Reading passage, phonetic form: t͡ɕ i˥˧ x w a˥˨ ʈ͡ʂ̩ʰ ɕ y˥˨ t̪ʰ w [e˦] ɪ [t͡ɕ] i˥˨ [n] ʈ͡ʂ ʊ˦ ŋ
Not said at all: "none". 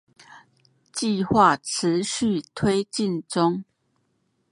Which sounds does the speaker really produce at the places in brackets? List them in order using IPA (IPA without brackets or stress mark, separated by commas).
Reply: e˦, t͡ɕ, n